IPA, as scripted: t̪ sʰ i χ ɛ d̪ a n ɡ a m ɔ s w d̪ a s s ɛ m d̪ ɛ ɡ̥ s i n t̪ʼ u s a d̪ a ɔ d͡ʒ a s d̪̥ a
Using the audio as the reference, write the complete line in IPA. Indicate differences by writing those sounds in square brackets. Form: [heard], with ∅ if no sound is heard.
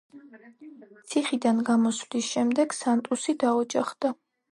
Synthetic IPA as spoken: t̪ sʰ i χ [i] d̪ a n ɡ a m ɔ s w d̪ [i] s [ʃ] ɛ m d̪ ɛ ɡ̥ s [a] n t̪ʼ u s [i] d̪ a ɔ d͡ʒ a [χ] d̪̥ a